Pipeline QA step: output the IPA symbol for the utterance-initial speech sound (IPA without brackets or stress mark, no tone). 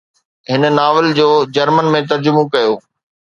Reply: ɦ